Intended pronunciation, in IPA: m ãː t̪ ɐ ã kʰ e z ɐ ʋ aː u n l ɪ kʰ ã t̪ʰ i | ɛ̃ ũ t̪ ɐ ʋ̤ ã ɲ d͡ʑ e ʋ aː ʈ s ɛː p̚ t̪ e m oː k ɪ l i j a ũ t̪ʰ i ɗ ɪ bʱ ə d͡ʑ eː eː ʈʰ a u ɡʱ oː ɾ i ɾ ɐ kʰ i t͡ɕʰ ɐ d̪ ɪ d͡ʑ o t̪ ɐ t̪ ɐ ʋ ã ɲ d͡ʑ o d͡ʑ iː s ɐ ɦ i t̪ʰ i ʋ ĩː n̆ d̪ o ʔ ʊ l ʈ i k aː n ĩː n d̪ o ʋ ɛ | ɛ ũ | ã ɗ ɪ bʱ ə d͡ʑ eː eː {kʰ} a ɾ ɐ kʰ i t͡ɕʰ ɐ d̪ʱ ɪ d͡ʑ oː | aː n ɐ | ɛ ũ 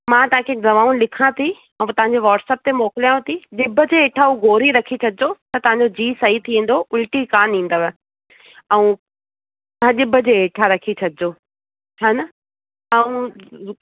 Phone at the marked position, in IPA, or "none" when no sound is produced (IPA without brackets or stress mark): ʈʰ